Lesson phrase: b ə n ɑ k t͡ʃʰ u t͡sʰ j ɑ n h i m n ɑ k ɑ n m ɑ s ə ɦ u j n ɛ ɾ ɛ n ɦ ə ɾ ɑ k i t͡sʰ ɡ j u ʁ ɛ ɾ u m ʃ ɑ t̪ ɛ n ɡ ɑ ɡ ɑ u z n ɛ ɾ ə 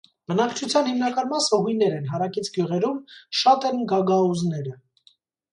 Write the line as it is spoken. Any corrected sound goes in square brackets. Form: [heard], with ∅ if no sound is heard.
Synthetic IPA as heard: b ə n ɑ k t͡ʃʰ u t͡sʰ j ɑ n h i m n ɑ k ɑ n m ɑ s ə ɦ u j n ɛ ɾ ɛ n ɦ [ɑ] ɾ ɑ k i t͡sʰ ɡ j u ʁ ɛ ɾ u m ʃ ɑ t̪ ɛ n ɡ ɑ ɡ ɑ u z n ɛ ɾ ə